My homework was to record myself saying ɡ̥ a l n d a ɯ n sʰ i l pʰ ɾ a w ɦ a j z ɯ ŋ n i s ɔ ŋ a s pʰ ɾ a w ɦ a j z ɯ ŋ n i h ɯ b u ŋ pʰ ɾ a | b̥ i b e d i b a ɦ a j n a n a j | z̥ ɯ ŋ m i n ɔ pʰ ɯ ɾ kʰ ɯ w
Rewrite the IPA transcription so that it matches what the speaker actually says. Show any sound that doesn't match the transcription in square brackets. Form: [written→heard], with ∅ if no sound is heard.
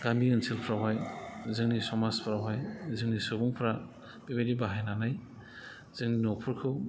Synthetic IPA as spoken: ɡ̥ a [l→∅] n d [a→i] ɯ n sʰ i l pʰ ɾ a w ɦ a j z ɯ ŋ n i s ɔ [ŋ→m] a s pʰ ɾ a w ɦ a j z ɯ ŋ n i [h→s] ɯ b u ŋ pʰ ɾ a | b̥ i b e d i b a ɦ a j n a n a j | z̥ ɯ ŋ [m→n] i n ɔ pʰ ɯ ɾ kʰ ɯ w

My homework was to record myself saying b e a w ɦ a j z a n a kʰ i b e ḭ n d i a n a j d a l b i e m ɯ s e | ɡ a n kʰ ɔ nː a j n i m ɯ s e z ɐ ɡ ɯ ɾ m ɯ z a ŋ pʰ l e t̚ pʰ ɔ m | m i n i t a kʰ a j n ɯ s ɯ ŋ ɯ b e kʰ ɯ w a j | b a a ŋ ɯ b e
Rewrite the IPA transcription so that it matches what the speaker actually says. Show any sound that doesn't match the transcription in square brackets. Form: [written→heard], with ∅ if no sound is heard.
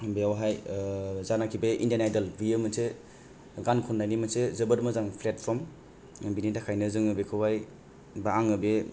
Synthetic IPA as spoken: b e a w ɦ a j z a n a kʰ i b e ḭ n d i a n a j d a l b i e m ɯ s e | ɡ a n kʰ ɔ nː a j n i m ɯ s e z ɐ [ɡ→b] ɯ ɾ m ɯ z a ŋ pʰ l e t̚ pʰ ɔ m | [m→b] i n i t a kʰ a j n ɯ [s→z] ɯ ŋ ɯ b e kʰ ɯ w a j | b a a ŋ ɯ b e

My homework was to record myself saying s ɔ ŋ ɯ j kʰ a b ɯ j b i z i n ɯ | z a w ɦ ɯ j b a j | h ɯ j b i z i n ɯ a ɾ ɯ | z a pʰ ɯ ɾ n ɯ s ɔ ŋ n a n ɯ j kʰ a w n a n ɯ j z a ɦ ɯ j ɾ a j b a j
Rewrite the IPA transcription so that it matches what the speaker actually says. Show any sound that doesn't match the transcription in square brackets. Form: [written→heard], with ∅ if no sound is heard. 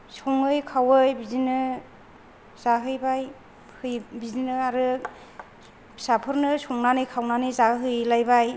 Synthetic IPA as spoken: s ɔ ŋ ɯ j kʰ a [b→w] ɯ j b i z i n ɯ | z a [w→∅] ɦ ɯ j b a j | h ɯ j b i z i n ɯ a ɾ ɯ | [z→s] a pʰ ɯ ɾ n ɯ s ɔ ŋ n a n ɯ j kʰ a w n a n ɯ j z a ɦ ɯ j [ɾ→l] a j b a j

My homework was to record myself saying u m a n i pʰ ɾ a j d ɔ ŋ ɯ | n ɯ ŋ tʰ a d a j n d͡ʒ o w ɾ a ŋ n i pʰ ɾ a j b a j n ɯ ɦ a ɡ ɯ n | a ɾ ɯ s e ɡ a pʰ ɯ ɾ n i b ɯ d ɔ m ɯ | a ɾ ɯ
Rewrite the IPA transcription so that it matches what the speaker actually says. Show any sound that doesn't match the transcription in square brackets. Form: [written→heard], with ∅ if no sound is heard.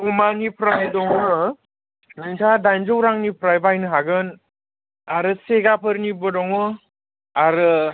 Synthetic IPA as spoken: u m a n i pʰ ɾ a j d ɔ ŋ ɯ | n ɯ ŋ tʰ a d a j n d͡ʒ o w ɾ a ŋ n i pʰ ɾ a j b a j n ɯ ɦ a ɡ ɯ n | a ɾ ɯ s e ɡ a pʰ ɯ ɾ n i b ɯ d ɔ [m→ŋ] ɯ | a ɾ ɯ

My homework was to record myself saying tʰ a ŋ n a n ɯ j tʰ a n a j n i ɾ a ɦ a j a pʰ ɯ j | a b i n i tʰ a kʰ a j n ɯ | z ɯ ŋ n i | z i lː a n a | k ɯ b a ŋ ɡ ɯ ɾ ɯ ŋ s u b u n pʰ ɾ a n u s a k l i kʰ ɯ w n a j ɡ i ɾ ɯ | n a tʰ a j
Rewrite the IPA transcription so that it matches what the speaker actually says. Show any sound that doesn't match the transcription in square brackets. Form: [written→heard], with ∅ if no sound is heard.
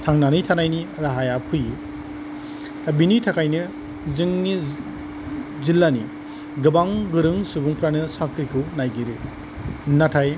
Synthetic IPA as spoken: tʰ a ŋ n a n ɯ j tʰ a n a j n i ɾ a ɦ a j a pʰ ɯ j | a b i n i tʰ a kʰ a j n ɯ | z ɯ ŋ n i | z i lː a n [a→i] | [k→ɡ] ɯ b a ŋ ɡ ɯ ɾ ɯ ŋ s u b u [n→ŋ] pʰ ɾ a n [u→ɯ] s a k [l→ɾ] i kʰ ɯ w n a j ɡ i ɾ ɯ | n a tʰ a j

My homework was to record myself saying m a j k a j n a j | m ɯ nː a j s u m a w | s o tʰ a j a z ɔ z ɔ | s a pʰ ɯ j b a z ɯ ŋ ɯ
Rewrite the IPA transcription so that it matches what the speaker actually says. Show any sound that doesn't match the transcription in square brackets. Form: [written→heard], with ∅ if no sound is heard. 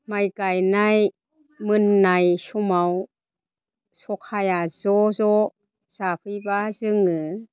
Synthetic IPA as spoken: m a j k a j n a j | m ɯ nː a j s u m a w | s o [tʰ→kʰ] a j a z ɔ z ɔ | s a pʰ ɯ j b a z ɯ ŋ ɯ

